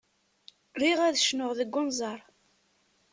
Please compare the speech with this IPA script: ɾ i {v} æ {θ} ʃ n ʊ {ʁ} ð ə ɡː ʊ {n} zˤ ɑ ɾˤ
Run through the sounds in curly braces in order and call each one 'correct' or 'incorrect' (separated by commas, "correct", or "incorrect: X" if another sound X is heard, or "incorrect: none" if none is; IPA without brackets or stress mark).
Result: incorrect: ʁ, incorrect: ð, correct, correct